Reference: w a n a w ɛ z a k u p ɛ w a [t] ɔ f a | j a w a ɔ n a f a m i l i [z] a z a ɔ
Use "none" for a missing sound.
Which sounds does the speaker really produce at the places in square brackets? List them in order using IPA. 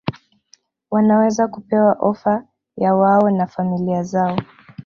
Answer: ʔ, none

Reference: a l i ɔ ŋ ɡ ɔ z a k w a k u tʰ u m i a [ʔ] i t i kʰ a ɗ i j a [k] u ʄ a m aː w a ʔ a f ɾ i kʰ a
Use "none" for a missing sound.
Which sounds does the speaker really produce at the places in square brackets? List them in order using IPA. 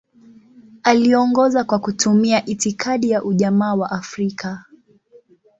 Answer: ʔ, ʔ

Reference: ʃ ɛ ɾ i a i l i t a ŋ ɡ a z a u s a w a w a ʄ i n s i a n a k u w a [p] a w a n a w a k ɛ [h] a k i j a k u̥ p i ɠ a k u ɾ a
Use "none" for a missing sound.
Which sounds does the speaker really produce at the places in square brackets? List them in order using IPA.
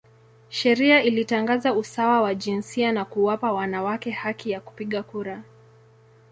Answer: p, h

